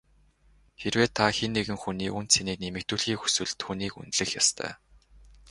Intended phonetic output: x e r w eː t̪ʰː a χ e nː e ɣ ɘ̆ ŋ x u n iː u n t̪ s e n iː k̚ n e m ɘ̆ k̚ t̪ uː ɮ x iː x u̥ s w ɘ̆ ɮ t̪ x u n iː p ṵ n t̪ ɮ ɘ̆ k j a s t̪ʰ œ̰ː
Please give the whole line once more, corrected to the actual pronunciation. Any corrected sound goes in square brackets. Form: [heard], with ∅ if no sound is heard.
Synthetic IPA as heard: x e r w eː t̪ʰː a [x] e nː e ɣ ɘ̆ ŋ x u n iː u n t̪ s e n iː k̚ n e m ɘ̆ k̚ t̪ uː ɮ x iː x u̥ s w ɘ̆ ɮ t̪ x u n iː [k] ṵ n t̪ ɮ ɘ̆ [x] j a s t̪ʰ œ̰ː